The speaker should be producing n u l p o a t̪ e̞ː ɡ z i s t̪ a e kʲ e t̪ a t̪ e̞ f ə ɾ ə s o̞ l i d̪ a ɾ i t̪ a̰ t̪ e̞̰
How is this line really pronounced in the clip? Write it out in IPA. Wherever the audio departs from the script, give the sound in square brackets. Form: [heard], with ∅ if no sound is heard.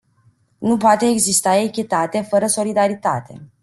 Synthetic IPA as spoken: n u [∅] p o a t̪ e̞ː ɡ z i s t̪ a e kʲ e t̪ a t̪ e̞ f ə ɾ ə s o̞ l i d̪ a ɾ i t̪ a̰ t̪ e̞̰